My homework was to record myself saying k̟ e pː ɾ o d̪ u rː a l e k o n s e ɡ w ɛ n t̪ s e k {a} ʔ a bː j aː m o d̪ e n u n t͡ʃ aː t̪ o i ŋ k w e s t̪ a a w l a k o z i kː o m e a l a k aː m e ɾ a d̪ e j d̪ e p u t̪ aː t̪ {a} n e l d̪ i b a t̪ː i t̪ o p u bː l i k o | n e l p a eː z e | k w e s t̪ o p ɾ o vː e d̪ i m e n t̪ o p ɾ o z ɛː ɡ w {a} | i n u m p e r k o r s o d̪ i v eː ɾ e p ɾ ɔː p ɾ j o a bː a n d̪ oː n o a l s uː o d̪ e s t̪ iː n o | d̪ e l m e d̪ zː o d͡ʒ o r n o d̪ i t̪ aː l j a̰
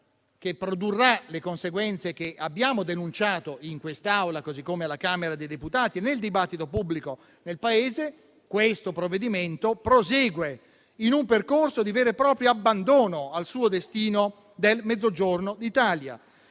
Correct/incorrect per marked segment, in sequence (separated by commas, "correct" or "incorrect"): incorrect, incorrect, incorrect